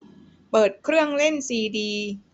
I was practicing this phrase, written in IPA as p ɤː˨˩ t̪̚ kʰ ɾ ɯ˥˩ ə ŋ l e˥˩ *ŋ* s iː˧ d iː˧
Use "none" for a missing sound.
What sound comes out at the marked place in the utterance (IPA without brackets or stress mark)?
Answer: n